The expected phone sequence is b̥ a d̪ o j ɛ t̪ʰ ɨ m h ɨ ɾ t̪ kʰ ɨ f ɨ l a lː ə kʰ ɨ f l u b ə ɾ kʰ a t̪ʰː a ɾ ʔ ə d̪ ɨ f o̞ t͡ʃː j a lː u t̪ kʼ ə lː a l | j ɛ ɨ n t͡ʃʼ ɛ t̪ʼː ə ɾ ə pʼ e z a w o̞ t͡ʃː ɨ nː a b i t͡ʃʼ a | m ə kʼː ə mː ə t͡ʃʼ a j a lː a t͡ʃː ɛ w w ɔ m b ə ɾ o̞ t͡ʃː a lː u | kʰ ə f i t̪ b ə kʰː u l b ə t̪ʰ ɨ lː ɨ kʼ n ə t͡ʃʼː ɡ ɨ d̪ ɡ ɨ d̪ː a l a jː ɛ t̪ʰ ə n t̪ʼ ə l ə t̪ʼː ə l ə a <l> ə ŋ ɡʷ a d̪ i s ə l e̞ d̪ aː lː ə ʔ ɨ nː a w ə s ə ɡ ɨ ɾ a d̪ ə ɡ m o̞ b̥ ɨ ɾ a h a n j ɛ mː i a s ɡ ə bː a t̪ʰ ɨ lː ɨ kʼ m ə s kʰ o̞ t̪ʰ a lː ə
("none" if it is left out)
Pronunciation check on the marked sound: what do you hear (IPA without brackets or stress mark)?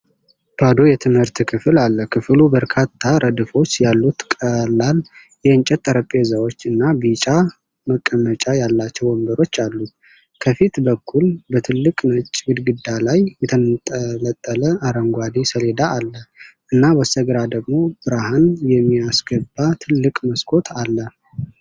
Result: ɾ